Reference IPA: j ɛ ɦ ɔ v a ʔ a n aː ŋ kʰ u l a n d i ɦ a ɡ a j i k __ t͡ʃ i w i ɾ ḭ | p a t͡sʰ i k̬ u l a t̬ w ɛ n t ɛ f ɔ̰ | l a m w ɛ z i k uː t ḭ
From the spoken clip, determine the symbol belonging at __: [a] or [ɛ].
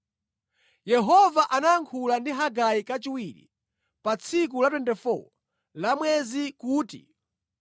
a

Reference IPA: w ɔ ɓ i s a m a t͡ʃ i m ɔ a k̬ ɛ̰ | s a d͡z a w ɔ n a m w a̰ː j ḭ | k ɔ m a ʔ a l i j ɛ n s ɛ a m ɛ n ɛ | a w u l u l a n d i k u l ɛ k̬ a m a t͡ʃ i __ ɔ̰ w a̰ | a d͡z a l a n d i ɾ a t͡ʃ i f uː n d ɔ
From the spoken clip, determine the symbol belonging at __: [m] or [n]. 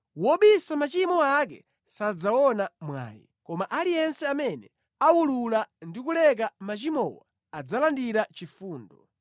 m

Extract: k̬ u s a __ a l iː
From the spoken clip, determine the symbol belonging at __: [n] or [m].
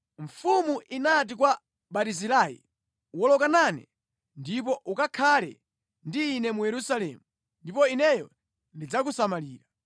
m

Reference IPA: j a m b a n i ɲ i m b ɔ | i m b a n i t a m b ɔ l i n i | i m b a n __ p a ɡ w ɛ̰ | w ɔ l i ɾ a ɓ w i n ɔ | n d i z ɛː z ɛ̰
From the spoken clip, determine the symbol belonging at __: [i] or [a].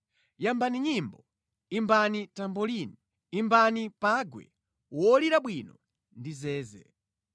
i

